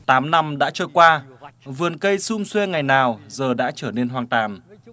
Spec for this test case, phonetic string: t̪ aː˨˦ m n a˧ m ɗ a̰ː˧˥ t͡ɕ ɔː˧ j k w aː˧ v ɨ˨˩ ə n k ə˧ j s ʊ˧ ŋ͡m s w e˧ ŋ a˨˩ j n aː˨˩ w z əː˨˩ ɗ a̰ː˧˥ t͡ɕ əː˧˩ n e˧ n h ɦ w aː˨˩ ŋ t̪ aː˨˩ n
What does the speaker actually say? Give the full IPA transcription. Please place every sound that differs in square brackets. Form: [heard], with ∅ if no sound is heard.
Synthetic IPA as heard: t̪ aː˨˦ m n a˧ m ɗ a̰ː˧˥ t͡ɕ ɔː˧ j k w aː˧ v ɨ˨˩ ə n k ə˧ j s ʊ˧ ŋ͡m s w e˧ ŋ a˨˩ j n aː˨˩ w z əː˨˩ ɗ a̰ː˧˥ t͡ɕ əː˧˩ n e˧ n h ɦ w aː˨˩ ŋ t̪ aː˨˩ n